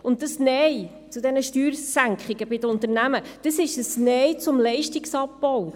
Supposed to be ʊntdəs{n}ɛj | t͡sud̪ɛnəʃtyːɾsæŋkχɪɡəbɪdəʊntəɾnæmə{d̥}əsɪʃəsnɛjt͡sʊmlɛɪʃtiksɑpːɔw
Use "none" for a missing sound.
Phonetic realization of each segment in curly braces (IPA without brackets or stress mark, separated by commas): n, d̥